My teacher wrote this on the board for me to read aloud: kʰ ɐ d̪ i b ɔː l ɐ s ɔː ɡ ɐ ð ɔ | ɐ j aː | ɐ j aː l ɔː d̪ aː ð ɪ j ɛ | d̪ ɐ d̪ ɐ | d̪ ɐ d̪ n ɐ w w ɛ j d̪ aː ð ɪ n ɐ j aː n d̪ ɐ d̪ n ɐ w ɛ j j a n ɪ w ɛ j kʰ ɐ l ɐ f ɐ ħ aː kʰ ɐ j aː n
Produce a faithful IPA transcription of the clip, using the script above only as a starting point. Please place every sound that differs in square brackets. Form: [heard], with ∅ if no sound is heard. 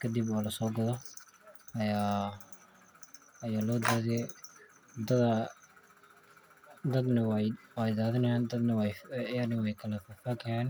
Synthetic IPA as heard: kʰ ɐ d̪ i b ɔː l ɐ s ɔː ɡ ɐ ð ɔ | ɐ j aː | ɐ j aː l ɔː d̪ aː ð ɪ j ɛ | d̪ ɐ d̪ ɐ | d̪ ɐ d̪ n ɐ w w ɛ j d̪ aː ð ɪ n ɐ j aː n d̪ ɐ d̪ n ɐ w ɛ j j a n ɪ w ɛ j kʰ ɐ l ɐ f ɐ [f] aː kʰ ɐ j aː n